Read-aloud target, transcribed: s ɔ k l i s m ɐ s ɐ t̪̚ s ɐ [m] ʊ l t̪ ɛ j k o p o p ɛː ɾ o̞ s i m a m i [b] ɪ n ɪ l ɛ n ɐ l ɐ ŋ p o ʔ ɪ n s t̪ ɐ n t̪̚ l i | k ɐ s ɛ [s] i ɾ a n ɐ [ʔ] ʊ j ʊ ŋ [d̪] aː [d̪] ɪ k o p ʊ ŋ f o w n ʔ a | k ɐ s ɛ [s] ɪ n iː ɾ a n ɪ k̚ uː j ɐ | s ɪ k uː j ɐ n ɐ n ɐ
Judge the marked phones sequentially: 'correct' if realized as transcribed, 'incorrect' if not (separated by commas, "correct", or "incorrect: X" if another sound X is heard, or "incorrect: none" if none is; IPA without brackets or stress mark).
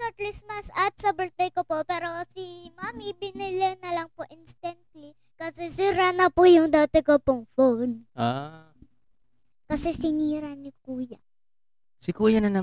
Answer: incorrect: b, correct, correct, incorrect: p, correct, incorrect: t̪, correct